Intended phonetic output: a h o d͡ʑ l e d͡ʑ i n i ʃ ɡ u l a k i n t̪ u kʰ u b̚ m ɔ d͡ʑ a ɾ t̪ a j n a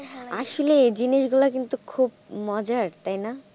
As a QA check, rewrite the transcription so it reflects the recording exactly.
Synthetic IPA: a ʃ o l e d͡ʑ i n i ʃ ɡ u l a k i n t̪ u kʰ u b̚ m ɔ d͡ʑ a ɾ t̪ a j n a